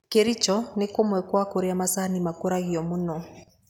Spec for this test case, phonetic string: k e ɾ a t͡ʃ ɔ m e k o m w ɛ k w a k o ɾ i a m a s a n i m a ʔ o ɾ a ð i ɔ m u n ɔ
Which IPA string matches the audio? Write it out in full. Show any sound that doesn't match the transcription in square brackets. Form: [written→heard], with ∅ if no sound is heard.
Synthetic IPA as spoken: k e ɾ [a→i] t͡ʃ ɔ [m→n] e k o m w ɛ k w a k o ɾ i a m a s a n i m a [ʔ→k] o ɾ a [ð→ɣ] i ɔ m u n ɔ